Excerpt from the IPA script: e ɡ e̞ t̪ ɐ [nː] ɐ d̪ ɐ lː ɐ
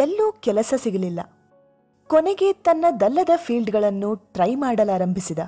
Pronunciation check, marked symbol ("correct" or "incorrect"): correct